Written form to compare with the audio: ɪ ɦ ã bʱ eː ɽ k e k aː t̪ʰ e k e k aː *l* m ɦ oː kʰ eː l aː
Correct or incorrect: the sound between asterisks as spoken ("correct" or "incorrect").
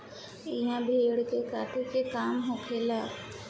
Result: incorrect